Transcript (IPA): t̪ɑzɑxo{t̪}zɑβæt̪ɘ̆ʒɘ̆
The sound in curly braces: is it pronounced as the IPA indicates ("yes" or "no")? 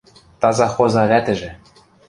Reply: no